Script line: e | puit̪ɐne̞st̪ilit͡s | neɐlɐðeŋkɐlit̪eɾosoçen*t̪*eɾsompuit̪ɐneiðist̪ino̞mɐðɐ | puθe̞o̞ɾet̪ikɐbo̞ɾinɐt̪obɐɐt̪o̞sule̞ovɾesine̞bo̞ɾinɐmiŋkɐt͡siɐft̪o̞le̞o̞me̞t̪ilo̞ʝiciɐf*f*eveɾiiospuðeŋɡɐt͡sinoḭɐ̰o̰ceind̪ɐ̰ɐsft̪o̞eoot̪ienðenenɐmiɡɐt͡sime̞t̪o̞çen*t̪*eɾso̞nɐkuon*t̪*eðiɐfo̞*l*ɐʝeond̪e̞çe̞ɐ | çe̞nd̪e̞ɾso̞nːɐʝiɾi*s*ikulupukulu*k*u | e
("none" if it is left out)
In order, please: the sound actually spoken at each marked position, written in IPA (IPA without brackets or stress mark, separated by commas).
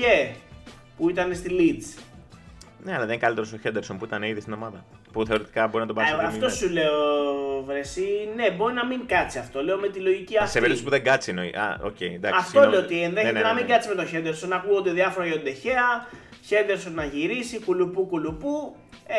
d̪, s, d̪, d̪, ɾ, s, p